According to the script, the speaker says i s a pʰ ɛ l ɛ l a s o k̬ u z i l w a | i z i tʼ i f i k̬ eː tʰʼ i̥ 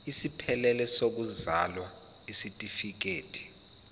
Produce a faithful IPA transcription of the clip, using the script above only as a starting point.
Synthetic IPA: i s i pʰ ɛ l ɛ l ɛ s o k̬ u z a l w a | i s i tʼ i f i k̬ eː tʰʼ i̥